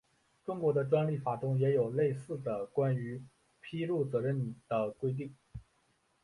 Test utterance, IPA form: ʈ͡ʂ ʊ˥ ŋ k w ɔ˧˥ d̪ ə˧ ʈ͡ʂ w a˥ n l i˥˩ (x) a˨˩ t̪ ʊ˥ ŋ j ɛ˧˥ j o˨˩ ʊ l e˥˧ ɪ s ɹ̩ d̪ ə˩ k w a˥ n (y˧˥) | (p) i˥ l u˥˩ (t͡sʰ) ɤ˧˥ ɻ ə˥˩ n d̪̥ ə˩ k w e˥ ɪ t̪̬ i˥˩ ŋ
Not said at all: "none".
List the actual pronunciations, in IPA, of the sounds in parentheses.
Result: f, y˧˥, pʰ, t͡s

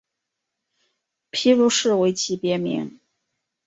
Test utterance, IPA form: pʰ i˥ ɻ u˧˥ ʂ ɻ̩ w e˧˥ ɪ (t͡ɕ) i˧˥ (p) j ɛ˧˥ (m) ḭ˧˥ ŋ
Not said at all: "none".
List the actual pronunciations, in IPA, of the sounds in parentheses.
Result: t͡ɕʰ, p, m

